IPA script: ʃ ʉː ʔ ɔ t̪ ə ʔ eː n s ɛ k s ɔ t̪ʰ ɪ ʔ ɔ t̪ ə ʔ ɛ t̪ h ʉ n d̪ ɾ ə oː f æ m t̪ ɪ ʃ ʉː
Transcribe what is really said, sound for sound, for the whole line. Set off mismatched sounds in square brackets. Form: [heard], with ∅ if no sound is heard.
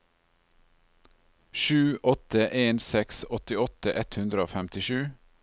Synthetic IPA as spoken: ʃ ʉː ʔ ɔ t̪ ə ʔ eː n s ɛ k s ɔ [t̪] ɪ [∅] ɔ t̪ ə ʔ ɛ t̪ h ʉ n d̪ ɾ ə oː f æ m t̪ ɪ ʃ ʉː